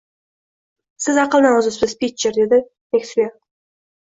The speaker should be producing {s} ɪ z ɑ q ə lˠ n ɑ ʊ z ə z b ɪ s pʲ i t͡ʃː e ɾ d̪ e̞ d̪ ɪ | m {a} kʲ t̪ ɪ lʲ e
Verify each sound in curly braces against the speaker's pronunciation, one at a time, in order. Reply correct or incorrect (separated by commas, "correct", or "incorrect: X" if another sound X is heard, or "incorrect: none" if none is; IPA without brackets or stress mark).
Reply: correct, incorrect: e